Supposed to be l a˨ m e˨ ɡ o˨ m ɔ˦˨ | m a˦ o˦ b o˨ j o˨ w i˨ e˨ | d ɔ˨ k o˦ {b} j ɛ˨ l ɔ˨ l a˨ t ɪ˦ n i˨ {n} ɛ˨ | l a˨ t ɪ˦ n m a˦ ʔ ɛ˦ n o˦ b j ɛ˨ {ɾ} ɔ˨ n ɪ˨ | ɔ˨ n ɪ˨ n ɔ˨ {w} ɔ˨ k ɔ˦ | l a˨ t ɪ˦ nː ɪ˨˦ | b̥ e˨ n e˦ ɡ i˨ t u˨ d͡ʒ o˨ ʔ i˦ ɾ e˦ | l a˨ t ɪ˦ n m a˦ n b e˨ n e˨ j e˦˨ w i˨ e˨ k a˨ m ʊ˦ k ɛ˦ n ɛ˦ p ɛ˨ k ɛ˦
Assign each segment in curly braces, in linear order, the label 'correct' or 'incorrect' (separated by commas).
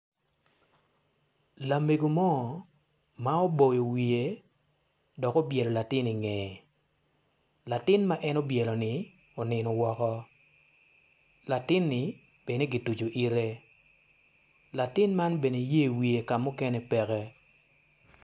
correct, incorrect, incorrect, correct